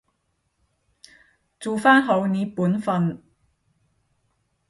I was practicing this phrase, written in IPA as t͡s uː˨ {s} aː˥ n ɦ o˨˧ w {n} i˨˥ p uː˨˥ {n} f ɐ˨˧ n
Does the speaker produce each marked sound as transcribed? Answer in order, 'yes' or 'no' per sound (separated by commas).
no, yes, yes